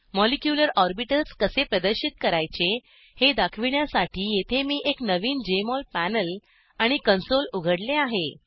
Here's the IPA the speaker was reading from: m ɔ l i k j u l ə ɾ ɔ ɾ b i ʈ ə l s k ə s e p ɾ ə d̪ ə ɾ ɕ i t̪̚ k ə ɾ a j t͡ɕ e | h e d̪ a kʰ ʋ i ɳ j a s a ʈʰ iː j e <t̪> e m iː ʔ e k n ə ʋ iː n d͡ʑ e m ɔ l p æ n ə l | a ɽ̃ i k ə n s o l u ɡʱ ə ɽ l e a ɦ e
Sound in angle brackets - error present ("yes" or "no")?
yes